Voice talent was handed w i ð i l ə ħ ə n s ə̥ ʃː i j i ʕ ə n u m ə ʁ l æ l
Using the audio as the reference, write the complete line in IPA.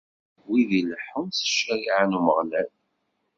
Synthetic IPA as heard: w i ð i l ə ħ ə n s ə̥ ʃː æ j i ʕ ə n u m ə ʁ l æ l